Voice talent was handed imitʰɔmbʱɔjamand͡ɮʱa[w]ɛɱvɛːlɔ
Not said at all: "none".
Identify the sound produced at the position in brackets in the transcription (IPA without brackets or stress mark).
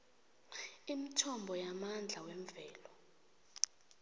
w